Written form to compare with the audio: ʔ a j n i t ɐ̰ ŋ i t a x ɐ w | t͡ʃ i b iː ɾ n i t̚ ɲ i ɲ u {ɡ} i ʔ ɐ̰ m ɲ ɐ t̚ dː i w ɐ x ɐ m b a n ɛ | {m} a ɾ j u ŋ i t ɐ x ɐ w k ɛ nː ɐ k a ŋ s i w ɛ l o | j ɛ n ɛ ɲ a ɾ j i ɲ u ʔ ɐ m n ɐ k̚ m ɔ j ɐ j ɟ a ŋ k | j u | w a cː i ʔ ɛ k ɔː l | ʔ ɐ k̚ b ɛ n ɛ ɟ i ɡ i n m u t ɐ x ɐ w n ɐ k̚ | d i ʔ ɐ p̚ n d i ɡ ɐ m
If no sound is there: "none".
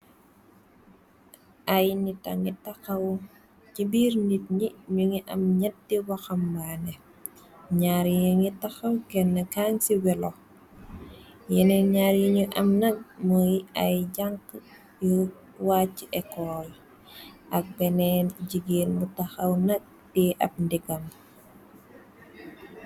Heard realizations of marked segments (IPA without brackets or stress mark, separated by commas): ŋ, ɲ